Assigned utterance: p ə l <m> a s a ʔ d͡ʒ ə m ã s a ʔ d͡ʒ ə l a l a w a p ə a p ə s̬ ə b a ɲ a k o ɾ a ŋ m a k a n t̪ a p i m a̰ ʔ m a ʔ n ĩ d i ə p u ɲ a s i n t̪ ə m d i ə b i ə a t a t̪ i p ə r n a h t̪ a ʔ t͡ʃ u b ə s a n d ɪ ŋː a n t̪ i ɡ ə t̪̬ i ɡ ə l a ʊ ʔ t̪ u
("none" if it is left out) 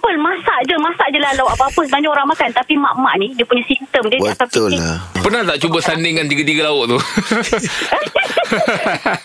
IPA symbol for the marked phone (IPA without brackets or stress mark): m